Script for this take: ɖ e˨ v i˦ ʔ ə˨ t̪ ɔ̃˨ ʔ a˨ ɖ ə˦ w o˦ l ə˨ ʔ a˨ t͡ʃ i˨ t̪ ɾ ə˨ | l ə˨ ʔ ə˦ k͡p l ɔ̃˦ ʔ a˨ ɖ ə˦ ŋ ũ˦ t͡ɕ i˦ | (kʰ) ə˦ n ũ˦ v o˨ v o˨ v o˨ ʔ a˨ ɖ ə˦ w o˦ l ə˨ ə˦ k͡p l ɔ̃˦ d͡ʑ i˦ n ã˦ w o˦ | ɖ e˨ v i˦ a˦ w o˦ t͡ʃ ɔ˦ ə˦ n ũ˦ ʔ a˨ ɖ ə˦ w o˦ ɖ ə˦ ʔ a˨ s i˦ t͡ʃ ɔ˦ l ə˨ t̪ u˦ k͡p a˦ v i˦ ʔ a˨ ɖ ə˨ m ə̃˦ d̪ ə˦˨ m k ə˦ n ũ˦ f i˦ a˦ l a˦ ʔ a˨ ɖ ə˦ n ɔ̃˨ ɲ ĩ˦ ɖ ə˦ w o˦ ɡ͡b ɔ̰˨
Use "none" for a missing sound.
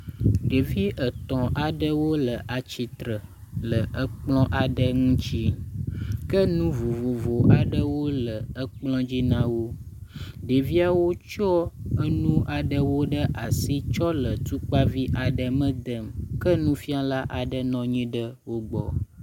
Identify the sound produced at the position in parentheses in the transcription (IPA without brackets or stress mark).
k